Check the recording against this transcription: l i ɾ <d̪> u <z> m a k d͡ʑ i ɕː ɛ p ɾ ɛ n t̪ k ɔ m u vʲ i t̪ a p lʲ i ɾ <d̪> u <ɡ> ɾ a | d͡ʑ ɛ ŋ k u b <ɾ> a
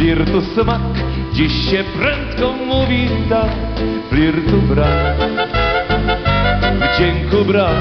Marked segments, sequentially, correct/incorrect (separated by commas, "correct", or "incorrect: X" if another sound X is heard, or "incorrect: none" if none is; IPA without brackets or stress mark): incorrect: t̪, incorrect: s, incorrect: t̪, incorrect: b, correct